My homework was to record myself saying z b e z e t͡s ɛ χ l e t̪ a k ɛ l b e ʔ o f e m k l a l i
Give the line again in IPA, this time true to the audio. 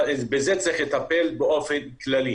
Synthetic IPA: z b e z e t͡s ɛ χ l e t̪ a p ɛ l b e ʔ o f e n k l a l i